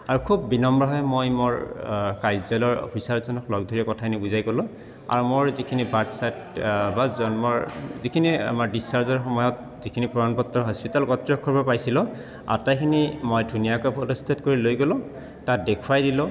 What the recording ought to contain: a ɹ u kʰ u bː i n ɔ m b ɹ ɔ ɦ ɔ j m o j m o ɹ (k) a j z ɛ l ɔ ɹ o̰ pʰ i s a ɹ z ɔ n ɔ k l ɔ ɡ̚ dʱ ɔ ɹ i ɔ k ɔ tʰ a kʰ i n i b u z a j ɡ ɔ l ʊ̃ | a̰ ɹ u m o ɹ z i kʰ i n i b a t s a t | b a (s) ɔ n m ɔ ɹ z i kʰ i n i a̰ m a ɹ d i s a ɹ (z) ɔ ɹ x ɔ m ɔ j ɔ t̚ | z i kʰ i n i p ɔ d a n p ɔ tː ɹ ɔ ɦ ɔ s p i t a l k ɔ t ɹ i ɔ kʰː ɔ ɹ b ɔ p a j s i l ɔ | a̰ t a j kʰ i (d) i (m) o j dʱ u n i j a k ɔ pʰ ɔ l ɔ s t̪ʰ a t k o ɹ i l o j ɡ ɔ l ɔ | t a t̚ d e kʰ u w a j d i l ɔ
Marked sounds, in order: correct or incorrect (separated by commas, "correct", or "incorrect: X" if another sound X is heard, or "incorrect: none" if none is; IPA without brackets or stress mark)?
correct, incorrect: z, correct, incorrect: n, correct